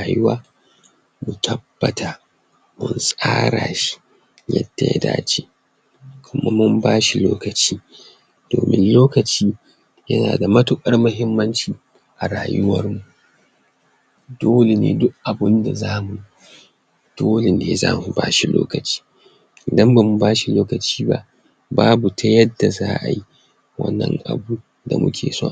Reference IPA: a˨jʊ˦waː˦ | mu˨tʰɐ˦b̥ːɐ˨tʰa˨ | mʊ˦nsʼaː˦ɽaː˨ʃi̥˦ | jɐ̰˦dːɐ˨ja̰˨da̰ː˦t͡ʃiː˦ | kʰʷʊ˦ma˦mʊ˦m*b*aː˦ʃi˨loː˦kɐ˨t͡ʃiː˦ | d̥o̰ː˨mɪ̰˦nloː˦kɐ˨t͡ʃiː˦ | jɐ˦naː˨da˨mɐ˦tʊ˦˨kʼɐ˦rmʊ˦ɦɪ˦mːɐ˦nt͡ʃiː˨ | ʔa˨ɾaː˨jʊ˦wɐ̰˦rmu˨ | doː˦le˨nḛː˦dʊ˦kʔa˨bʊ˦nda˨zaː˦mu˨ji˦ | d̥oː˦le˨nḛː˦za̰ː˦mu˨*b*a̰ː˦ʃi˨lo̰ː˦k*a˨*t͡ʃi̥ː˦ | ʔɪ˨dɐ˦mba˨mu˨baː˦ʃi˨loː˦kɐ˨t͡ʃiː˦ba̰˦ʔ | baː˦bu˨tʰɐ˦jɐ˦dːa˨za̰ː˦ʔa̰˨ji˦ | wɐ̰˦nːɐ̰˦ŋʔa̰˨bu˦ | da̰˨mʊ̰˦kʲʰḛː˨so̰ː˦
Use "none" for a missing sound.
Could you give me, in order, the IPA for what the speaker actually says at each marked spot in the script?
b, b, ɐ˨

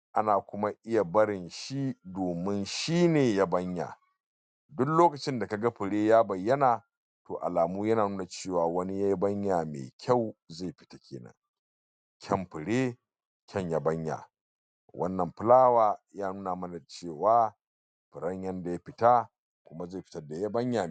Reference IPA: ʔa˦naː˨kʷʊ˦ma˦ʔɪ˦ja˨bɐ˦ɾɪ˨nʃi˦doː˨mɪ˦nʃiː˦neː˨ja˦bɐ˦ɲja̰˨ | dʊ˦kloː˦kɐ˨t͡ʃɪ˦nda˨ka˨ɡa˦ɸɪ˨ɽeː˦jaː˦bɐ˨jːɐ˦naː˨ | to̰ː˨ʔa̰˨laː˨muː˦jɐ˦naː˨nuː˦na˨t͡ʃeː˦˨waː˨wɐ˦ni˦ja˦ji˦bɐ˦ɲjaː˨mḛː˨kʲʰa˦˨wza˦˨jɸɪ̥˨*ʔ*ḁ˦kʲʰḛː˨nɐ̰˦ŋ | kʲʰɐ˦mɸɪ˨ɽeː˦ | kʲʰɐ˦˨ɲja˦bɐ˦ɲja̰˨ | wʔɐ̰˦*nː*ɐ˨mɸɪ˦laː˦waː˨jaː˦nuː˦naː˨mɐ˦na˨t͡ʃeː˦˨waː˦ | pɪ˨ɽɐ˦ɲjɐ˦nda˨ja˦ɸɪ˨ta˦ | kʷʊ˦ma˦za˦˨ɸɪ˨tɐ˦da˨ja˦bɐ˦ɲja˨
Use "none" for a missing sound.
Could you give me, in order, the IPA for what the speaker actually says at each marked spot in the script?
t, nː

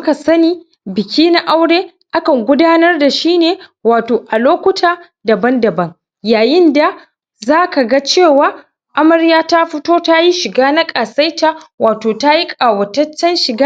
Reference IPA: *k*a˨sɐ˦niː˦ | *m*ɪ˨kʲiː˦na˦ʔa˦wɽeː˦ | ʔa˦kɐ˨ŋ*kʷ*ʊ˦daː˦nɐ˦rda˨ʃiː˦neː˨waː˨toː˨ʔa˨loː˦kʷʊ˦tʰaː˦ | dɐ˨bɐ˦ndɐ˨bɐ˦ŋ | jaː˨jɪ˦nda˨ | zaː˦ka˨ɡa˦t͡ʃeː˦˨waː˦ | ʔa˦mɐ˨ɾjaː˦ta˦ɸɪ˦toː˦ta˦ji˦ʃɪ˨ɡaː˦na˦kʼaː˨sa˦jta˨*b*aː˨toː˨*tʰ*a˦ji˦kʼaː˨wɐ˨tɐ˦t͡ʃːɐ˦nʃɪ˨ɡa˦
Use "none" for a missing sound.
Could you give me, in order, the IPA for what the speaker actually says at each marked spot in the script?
k, b, ɡʷ, w, t

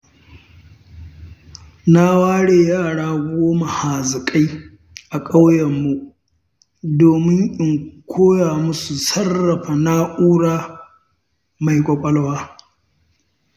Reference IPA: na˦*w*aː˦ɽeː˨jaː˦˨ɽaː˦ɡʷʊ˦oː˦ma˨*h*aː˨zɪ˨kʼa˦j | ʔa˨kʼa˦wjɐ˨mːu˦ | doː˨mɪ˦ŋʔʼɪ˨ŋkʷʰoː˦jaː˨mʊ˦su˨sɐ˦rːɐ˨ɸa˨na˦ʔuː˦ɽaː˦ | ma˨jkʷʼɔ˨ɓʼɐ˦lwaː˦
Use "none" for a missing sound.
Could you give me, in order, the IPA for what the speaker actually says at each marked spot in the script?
w, h

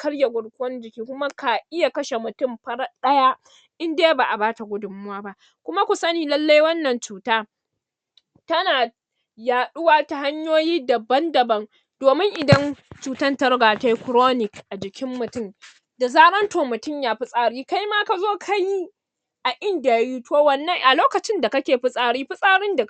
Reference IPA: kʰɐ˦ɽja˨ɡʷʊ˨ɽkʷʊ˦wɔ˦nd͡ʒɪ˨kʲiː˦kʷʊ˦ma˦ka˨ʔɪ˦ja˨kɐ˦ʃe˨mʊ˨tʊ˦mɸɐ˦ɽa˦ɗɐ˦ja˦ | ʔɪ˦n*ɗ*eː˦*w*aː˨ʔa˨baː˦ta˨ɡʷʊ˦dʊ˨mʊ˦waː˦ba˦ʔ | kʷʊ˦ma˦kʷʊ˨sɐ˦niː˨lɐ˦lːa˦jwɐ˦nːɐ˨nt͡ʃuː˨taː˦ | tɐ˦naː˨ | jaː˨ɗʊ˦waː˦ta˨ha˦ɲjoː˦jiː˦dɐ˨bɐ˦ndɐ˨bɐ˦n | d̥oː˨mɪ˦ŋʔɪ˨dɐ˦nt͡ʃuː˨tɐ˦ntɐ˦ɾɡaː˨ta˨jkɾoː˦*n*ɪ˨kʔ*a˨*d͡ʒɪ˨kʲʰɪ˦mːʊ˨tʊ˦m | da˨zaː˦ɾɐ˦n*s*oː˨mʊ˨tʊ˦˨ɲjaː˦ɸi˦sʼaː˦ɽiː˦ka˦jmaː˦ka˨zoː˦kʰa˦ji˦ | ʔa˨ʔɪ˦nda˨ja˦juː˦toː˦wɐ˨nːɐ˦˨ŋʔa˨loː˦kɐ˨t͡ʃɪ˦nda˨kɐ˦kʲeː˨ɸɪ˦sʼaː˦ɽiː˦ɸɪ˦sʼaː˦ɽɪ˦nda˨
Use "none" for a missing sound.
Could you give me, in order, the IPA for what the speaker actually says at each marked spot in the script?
d, b, n, a˨, t

